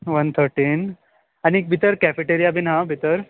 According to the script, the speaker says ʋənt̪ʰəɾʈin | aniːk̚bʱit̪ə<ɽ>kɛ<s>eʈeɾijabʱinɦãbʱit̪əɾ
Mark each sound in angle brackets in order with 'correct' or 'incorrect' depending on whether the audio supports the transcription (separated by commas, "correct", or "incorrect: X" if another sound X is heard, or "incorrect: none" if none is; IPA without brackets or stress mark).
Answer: incorrect: ɾ, incorrect: f